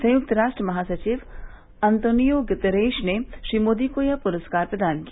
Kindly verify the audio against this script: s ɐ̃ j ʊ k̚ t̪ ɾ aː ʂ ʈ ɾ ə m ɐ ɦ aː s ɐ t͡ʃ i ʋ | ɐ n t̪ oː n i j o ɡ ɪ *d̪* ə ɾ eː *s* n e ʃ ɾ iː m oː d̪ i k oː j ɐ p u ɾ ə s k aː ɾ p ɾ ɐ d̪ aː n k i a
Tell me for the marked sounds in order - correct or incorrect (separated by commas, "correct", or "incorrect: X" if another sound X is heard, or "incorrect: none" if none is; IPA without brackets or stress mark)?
incorrect: t̪, incorrect: ʃ